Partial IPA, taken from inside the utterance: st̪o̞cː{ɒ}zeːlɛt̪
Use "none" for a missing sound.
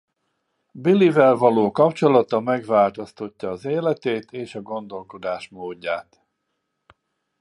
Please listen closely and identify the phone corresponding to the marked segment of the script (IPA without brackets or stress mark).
ɒː